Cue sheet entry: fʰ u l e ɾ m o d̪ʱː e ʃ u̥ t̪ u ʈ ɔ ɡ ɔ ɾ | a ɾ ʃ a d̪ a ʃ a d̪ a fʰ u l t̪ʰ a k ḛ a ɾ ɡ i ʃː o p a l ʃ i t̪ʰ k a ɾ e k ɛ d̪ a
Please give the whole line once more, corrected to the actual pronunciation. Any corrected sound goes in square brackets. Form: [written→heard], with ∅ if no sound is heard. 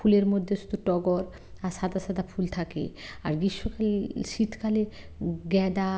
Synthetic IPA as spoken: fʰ u l e ɾ m o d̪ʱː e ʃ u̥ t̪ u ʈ ɔ ɡ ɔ ɾ | a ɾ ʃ a d̪ a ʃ a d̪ a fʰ u l t̪ʰ a k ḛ a ɾ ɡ i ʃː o [p→k] a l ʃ i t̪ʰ k a [ɾ→l] e [k→ɡ] ɛ d̪ a